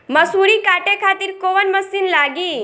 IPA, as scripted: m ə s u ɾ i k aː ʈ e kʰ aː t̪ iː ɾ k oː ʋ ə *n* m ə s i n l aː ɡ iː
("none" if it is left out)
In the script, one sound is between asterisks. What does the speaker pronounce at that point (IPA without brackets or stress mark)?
n